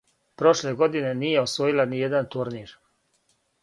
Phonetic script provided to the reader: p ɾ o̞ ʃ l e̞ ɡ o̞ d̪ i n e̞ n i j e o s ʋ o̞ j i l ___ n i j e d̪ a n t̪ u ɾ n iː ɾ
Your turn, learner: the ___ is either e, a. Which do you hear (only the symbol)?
a